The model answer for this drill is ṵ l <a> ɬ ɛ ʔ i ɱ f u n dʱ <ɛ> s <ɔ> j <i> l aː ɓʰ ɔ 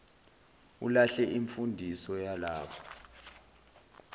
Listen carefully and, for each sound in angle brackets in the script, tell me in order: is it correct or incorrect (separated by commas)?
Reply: correct, incorrect, correct, incorrect